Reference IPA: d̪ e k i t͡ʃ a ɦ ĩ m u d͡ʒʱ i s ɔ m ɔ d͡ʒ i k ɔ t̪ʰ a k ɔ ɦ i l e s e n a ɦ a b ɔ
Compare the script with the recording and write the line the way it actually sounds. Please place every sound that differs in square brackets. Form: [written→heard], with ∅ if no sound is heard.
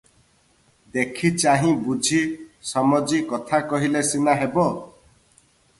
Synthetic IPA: d̪ e [k→kʰ] i t͡ʃ a ɦ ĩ [m→b] u d͡ʒʱ i s ɔ m ɔ d͡ʒ i k ɔ t̪ʰ a k ɔ ɦ i l e s [e→i] n a ɦ [a→e] b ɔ